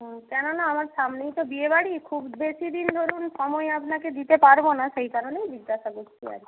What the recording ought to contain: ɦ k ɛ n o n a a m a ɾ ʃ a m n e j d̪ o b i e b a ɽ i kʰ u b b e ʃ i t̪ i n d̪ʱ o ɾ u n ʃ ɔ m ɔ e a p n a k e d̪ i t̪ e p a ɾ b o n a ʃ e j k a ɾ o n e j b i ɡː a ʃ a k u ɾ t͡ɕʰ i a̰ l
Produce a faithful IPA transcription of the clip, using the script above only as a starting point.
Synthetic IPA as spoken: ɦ k ɛ n o n a a m a ɾ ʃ a m n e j t̪ o b i e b a ɽ i kʰ u b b e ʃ i d̪ i n d̪ʱ o ɾ u n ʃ ɔ m ɔ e a p n a k e d̪ i t̪ e p a ɾ b o n a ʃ e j k a ɾ o n e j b i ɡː a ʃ a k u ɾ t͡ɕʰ i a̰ ɾ